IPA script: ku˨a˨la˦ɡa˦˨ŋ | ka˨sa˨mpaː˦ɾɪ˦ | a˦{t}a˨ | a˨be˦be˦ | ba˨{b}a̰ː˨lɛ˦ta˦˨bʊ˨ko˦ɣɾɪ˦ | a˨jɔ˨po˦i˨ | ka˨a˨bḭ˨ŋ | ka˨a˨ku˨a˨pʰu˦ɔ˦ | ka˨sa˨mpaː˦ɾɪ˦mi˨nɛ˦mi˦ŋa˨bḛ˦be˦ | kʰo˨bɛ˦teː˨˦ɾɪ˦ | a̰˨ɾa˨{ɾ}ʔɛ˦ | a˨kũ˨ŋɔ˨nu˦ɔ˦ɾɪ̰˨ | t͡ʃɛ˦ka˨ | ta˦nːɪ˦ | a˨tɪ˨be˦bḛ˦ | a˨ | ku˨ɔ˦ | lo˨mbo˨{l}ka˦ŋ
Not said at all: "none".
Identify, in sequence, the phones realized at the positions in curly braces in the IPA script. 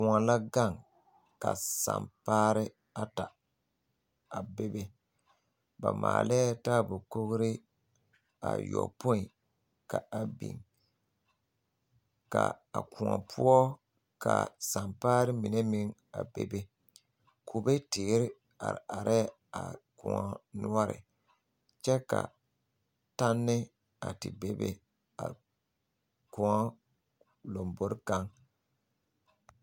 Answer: t, m, ɾ, ɾ

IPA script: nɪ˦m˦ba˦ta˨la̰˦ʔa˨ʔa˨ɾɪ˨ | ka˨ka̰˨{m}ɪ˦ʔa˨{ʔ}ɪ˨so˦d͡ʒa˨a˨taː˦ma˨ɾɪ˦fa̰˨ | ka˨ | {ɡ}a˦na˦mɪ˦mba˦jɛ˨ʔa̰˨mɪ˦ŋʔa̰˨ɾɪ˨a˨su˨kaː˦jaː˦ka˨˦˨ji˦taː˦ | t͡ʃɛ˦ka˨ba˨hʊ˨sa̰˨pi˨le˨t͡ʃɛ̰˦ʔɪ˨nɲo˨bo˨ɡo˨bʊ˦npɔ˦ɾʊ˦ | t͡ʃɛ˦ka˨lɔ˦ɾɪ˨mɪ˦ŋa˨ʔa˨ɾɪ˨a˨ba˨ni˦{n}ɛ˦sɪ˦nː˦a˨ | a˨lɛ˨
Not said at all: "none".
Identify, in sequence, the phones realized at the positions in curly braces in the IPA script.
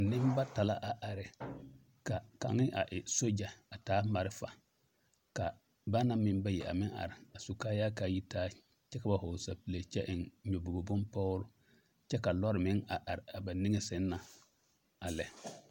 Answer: ŋ, ʔ, b, ŋ

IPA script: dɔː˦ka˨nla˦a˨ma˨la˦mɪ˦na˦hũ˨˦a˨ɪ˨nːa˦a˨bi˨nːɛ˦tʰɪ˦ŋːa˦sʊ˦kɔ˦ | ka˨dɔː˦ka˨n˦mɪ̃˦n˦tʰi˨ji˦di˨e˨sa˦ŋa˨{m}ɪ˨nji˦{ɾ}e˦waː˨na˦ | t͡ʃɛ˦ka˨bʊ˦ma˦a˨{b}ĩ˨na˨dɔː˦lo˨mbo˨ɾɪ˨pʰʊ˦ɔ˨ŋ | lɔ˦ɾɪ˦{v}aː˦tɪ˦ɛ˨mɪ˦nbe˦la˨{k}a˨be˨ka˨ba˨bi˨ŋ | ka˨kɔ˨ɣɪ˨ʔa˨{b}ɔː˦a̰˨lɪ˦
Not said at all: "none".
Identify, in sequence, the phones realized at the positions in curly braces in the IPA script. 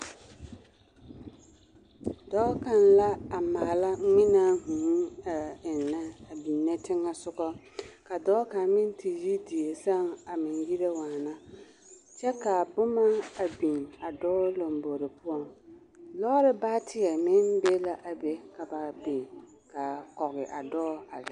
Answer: m, ɾ, b, b, ʔ, d

